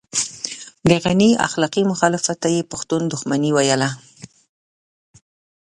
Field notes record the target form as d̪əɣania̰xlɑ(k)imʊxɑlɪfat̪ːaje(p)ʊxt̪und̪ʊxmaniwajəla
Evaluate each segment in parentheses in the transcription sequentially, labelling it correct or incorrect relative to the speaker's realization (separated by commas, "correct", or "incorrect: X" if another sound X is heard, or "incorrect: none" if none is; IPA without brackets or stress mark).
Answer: incorrect: q, correct